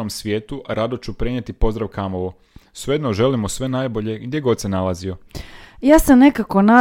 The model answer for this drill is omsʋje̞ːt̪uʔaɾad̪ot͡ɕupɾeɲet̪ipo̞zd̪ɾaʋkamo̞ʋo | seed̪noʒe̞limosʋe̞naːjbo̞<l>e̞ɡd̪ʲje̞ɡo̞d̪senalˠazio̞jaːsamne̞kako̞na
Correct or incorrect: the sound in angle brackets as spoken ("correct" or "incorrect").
incorrect